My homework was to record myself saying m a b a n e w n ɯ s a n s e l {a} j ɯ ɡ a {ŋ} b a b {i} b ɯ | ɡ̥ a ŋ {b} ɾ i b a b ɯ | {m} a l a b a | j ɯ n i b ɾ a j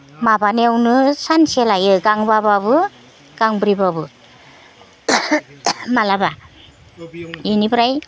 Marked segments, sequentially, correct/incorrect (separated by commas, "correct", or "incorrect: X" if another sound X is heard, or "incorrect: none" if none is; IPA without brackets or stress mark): correct, correct, incorrect: a, correct, correct